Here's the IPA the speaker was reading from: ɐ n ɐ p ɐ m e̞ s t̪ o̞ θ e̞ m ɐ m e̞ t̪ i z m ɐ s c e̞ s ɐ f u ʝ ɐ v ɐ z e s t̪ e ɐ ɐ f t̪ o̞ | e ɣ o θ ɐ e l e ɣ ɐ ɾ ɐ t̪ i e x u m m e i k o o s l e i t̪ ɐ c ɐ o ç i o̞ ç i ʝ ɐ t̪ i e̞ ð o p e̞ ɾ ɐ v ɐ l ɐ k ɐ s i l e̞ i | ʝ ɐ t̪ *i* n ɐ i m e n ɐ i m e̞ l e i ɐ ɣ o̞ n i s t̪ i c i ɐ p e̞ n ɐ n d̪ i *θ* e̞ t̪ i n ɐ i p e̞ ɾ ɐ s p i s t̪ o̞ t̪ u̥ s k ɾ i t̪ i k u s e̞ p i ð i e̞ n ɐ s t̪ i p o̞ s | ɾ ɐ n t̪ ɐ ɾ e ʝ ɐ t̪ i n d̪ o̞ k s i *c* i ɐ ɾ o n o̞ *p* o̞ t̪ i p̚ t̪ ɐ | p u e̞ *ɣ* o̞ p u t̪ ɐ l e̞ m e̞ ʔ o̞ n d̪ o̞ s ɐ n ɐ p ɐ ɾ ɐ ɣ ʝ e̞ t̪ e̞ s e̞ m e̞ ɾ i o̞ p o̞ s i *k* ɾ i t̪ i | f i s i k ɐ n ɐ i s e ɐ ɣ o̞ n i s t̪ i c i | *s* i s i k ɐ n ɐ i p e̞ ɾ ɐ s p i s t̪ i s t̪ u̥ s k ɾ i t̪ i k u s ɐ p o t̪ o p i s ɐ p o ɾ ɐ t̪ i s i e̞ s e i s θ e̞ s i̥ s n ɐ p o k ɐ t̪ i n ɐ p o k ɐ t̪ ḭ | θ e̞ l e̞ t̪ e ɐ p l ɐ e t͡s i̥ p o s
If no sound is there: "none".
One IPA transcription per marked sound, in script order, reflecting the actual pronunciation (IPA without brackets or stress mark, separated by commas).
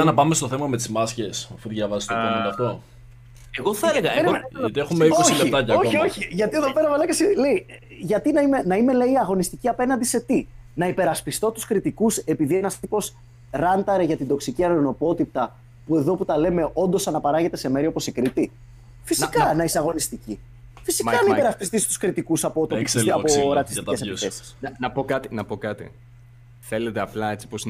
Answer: i, s, c, p, ð, k, f